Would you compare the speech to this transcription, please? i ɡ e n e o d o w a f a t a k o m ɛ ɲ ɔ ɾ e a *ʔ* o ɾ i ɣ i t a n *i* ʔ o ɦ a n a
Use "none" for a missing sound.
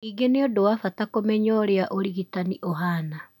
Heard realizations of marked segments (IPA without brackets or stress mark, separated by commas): ʔ, i